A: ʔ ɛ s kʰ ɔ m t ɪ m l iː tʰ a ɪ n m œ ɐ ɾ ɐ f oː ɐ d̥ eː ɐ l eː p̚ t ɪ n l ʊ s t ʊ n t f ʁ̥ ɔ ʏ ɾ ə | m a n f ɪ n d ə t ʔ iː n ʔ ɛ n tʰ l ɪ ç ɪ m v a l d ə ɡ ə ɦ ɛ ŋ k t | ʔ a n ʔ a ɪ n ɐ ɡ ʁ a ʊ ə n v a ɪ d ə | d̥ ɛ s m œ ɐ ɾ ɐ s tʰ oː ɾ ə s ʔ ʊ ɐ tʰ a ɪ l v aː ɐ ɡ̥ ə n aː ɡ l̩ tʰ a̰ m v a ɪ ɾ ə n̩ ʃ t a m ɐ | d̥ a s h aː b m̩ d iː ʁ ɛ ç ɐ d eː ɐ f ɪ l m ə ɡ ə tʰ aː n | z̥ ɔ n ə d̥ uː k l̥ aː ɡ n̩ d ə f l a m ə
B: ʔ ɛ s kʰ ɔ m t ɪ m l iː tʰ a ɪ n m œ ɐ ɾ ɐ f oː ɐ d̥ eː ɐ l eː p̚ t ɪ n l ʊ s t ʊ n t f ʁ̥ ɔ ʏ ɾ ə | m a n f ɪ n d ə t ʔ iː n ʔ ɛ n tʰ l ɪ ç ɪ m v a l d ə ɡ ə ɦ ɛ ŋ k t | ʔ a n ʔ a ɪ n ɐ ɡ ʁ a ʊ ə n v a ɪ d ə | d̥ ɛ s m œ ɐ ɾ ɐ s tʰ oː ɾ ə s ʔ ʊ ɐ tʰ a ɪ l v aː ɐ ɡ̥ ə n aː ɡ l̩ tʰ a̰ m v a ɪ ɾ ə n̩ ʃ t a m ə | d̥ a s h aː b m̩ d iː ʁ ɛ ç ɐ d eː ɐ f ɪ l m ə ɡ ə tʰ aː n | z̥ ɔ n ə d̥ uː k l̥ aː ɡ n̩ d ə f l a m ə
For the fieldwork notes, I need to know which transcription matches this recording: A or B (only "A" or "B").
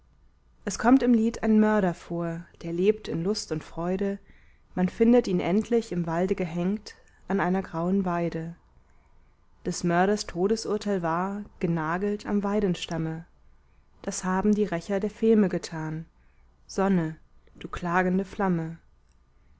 B